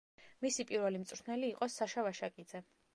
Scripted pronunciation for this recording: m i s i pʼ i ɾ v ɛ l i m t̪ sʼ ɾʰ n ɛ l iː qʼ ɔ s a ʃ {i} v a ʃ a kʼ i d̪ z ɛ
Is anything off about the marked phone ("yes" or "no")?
yes